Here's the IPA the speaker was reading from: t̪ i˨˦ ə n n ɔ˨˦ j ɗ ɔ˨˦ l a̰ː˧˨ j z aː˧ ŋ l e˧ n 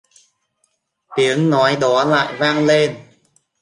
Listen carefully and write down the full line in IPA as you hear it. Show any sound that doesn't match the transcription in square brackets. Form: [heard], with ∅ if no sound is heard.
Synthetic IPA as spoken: t̪ i˨˦ ə [ŋ] n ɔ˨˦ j ɗ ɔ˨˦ l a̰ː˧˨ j [v] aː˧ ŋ l e˧ n